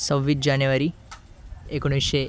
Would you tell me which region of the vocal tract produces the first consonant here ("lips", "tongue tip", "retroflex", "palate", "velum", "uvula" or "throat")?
tongue tip